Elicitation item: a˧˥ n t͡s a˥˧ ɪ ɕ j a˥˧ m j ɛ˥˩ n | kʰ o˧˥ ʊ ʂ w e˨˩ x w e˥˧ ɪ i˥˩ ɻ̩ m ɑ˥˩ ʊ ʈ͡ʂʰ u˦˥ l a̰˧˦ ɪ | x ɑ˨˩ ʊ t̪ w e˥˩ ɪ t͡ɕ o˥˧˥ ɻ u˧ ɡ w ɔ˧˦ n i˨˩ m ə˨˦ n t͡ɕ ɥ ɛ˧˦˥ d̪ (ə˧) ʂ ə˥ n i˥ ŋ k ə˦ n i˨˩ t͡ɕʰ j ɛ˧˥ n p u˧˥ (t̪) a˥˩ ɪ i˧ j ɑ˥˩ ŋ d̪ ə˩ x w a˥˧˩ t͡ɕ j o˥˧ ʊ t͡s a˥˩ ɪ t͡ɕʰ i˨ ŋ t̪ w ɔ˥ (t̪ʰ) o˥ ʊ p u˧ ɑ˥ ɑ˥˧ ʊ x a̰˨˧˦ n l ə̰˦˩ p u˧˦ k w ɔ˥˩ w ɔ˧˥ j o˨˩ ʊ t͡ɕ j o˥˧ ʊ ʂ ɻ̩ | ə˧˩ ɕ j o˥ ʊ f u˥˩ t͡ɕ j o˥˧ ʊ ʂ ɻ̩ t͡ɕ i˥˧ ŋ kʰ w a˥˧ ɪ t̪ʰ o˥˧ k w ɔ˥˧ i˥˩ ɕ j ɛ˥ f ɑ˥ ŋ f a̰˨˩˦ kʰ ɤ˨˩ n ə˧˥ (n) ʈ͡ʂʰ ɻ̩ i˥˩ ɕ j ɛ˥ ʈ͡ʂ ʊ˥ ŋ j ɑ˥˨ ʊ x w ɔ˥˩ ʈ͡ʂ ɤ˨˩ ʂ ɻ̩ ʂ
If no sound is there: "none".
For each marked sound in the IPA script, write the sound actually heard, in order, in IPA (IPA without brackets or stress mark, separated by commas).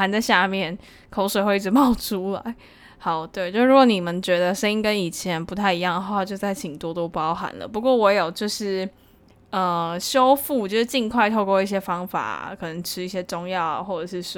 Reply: ə˧, t̪ʰ, t̪, ŋ